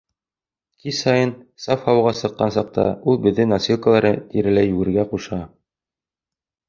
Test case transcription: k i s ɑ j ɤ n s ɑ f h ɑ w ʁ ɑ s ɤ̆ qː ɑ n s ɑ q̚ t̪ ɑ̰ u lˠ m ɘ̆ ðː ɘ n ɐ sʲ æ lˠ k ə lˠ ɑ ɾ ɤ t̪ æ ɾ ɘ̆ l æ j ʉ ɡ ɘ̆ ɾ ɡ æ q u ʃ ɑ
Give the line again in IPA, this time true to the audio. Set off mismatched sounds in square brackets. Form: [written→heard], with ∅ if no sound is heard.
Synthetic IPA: k i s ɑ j ɤ n s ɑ f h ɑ w ʁ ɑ s ɤ̆ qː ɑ n s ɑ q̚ t̪ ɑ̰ u lˠ [m→b] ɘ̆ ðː ɘ n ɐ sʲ [æ→i] lˠ k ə lˠ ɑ ɾ ɤ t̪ [æ→i] ɾ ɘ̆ l æ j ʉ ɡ ɘ̆ ɾ ɡ æ q u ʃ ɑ